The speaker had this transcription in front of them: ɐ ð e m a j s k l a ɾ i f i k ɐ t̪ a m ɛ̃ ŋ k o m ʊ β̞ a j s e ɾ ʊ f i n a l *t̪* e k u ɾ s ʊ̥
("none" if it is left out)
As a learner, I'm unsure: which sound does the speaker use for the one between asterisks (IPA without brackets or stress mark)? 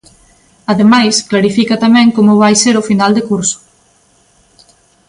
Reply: d̪